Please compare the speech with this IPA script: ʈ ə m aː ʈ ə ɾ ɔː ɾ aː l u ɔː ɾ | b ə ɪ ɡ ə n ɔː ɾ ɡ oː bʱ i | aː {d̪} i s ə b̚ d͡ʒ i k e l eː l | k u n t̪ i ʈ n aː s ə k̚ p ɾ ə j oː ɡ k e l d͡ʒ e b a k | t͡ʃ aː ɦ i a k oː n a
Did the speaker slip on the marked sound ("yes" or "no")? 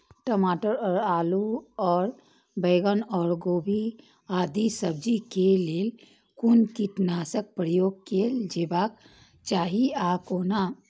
no